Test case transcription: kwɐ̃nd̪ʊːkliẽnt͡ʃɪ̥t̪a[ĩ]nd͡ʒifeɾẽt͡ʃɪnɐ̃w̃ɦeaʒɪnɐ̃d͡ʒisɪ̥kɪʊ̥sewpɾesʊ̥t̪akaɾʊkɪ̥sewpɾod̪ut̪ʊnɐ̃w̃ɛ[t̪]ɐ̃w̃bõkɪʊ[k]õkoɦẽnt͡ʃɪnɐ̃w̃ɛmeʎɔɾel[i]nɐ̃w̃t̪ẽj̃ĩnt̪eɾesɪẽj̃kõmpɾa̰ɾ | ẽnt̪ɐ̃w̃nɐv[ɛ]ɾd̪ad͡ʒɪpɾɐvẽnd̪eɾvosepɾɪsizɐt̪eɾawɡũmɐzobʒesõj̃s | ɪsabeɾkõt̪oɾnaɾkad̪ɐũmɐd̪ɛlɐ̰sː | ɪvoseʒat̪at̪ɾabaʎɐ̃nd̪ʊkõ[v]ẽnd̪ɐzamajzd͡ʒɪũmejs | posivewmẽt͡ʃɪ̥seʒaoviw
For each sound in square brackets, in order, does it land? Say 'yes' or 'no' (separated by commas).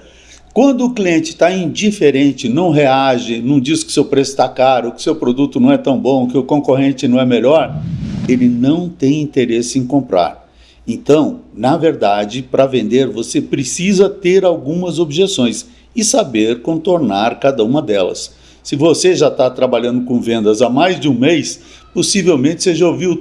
yes, yes, yes, no, no, yes